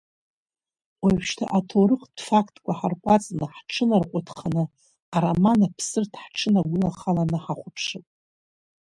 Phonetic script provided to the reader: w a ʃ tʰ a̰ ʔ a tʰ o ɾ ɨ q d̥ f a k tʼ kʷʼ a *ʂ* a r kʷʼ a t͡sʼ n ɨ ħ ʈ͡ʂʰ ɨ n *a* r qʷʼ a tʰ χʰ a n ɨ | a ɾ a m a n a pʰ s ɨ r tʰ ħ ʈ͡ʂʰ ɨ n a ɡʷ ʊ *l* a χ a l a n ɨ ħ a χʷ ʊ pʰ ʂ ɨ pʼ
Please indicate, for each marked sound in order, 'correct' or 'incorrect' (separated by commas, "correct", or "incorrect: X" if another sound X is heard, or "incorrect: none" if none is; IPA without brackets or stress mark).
incorrect: ħ, correct, correct